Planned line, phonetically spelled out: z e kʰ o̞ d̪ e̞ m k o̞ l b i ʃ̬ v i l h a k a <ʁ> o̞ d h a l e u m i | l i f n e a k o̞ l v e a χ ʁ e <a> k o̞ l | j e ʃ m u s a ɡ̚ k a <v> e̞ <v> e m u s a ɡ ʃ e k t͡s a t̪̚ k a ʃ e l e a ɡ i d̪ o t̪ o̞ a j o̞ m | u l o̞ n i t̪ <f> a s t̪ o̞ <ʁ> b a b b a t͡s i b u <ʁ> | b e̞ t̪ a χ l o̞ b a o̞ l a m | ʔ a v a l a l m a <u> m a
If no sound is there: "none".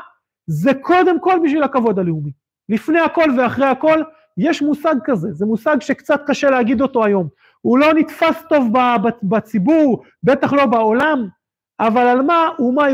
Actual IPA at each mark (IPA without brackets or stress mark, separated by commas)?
v, a, z, z, f, v, ʁ, u